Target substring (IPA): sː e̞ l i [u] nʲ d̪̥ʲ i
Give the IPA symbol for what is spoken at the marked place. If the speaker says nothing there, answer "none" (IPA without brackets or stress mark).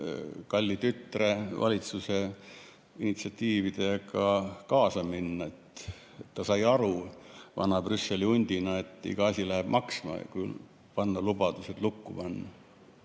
u